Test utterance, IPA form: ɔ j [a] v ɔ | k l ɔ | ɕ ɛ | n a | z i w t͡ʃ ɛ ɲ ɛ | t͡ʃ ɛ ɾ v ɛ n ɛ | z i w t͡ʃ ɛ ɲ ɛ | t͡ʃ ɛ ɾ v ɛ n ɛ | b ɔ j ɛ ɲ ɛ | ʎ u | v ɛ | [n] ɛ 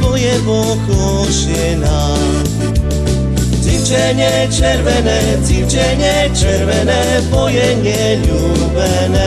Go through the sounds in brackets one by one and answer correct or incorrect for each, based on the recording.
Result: incorrect, correct

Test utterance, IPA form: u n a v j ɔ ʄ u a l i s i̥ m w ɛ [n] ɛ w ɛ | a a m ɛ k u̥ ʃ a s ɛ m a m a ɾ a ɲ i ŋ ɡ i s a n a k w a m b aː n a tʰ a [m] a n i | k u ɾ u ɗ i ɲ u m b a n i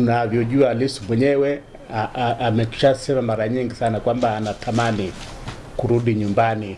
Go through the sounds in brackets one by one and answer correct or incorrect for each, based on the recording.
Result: incorrect, correct

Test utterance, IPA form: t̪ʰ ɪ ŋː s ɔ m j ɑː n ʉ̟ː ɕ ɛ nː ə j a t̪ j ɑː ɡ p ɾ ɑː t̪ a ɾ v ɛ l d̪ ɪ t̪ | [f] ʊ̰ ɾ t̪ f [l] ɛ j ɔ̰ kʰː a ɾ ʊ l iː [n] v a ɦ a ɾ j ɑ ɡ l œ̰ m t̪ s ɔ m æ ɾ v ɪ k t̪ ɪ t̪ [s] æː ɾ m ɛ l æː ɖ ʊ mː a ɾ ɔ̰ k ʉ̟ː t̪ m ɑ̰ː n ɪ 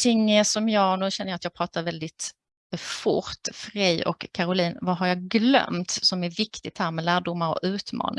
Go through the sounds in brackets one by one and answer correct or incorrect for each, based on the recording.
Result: correct, incorrect, correct, incorrect

